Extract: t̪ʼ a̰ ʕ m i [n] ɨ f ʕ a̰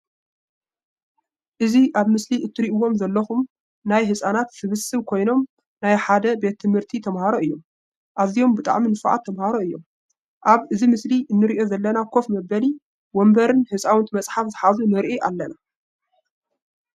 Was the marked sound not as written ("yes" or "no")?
no